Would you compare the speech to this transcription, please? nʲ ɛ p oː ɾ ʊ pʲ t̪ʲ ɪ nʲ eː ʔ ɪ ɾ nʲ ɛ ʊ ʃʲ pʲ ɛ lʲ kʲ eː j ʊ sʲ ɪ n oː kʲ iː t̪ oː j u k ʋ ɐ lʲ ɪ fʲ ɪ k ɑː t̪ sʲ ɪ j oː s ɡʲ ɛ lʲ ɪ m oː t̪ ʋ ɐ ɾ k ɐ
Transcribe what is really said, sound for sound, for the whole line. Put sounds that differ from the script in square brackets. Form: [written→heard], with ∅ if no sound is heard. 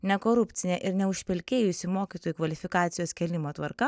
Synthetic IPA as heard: nʲ ɛ [p→k] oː ɾ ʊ pʲ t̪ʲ ɪ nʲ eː ʔ ɪ ɾ nʲ ɛ ʊ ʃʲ pʲ ɛ lʲ kʲ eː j ʊ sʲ ɪ [n→m] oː kʲ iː t̪ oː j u k ʋ ɐ lʲ ɪ fʲ ɪ k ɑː t̪ sʲ ɪ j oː s [ɡʲ→kʲ] ɛ lʲ ɪ m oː t̪ ʋ ɐ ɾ k ɐ